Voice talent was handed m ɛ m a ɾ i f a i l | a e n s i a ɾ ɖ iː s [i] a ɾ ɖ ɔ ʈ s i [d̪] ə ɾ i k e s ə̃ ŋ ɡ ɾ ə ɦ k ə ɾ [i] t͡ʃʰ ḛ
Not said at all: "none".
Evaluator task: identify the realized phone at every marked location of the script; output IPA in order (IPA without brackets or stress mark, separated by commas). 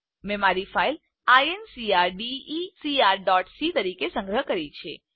i, t̪, i